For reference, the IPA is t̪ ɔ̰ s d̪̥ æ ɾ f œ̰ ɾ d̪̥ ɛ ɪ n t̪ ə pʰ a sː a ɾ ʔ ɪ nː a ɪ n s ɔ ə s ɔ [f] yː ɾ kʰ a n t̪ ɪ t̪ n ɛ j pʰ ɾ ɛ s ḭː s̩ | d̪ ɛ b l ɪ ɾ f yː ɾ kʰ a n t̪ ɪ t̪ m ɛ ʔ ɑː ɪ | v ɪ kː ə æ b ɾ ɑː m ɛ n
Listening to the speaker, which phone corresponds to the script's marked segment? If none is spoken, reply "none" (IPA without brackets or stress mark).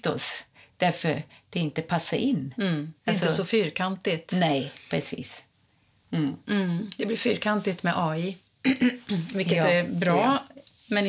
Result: f